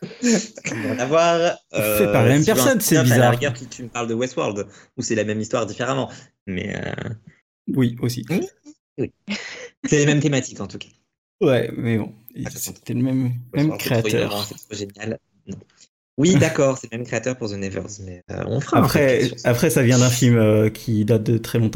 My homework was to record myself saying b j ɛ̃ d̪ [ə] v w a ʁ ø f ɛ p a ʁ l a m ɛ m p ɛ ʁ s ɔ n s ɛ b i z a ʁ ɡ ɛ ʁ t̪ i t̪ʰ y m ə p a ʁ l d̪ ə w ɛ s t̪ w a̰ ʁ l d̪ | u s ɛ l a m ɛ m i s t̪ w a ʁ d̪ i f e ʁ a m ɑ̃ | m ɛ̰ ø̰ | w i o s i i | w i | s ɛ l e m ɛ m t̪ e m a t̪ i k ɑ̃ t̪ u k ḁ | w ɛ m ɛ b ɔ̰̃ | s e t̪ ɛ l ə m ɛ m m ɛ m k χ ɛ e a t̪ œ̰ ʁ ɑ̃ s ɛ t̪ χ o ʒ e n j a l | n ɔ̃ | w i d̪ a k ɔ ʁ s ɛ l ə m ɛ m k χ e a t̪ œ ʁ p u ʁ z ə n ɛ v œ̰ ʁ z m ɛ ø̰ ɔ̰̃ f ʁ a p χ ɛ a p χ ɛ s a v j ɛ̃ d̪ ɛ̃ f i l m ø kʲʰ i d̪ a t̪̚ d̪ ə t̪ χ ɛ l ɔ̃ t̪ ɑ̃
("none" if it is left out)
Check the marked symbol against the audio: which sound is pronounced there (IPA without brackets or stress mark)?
a